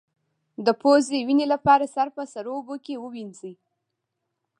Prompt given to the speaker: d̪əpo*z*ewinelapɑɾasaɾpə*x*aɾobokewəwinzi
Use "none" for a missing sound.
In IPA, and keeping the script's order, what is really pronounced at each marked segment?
z, s

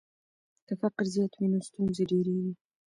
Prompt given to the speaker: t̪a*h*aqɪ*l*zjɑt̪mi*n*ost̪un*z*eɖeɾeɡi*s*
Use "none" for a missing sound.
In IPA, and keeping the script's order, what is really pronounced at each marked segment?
f, ɾ, n, z, none

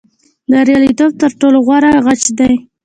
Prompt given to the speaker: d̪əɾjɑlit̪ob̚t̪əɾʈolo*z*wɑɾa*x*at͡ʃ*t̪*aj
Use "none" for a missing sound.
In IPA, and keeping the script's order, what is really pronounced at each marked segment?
ɣ, ɣ, d̪

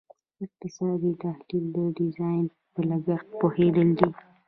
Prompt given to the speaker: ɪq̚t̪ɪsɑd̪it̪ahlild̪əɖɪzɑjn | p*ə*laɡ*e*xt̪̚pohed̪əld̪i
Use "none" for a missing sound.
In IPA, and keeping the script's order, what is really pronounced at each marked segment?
ə, a

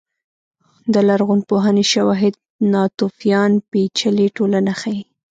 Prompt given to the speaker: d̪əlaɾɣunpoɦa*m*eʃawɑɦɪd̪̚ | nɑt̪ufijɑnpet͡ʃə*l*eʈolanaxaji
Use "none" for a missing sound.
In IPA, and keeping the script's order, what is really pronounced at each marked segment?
n, l

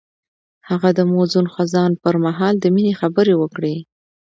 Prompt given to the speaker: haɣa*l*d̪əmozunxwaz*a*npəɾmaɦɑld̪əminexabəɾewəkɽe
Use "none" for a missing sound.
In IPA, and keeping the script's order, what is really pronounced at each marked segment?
none, ɑ

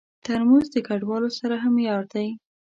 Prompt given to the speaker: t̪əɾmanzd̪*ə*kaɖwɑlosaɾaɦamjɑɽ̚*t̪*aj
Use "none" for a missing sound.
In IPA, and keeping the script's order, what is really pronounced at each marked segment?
ə, d̪

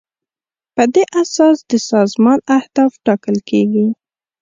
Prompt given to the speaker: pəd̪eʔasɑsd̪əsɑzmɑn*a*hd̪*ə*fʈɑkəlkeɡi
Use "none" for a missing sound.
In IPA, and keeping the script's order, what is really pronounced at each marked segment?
a, ɑ

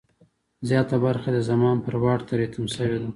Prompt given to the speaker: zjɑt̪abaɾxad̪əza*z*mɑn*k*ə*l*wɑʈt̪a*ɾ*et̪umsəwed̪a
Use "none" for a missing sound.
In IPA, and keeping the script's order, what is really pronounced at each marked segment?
none, p, ɾ, ɾ

